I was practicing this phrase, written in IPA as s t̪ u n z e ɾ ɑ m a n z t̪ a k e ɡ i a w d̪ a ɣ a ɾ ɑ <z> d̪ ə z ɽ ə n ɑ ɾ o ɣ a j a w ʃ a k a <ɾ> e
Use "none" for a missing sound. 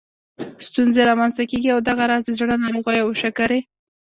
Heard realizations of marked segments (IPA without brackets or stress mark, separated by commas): z, ɾ